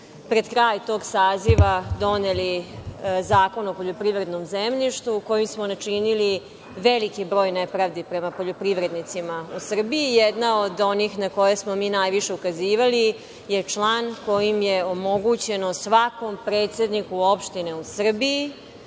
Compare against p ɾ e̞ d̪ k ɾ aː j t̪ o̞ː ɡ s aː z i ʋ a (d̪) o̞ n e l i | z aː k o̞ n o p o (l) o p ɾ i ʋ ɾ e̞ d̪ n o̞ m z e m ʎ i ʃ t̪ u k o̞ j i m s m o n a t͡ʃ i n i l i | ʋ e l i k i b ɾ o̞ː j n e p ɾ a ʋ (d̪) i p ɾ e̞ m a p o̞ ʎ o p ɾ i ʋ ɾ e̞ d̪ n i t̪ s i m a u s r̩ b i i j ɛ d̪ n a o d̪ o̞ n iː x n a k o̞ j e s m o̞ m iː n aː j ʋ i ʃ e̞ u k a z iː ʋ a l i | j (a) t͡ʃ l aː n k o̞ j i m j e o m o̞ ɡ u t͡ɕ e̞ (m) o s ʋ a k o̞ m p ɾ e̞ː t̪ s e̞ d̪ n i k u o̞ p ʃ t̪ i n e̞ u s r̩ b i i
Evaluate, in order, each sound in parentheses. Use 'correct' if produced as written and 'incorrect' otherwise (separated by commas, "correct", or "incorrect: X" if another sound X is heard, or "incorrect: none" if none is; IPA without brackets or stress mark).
correct, incorrect: ʎ, correct, incorrect: e, incorrect: n